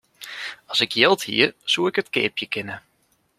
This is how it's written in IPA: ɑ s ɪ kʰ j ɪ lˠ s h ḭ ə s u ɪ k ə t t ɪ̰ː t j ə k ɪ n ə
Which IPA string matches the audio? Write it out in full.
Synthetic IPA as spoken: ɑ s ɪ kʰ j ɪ lˠ t h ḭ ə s u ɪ k ə t k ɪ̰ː p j ə k ɪ n ə